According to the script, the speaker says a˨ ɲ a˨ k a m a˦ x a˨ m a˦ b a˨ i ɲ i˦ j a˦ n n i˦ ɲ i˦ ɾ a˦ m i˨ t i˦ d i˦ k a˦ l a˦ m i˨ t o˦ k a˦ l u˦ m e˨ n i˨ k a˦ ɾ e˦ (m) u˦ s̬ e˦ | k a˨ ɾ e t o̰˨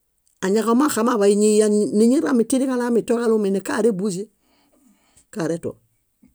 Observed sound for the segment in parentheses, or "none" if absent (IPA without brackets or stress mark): b